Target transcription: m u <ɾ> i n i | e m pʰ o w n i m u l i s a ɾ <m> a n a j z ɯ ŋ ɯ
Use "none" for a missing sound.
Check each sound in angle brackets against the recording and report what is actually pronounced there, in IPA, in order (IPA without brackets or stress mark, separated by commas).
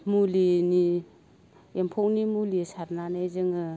l, n